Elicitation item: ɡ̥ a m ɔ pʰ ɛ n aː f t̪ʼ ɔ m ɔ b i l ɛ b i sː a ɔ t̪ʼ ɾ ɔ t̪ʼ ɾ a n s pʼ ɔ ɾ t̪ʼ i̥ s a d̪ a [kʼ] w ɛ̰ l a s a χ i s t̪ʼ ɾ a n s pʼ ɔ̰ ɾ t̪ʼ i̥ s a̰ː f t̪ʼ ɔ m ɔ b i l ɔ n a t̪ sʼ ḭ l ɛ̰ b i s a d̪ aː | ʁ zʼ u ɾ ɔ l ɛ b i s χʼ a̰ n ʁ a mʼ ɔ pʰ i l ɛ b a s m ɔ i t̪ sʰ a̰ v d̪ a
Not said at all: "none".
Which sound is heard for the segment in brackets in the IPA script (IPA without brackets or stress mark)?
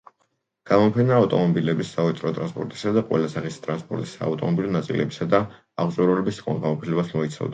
qʼ